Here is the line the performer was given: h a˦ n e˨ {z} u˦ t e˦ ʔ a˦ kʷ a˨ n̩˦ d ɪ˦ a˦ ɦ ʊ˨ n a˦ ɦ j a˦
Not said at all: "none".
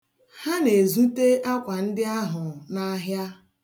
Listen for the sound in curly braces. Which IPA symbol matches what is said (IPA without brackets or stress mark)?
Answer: z